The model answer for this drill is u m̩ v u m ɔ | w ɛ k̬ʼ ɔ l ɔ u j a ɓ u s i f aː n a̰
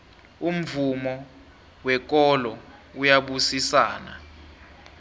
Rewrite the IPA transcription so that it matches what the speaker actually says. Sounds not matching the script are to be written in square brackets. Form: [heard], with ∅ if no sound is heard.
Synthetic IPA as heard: u m̩ v u m ɔ | w ɛ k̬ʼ ɔ l ɔ u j a ɓ u s i [s] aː n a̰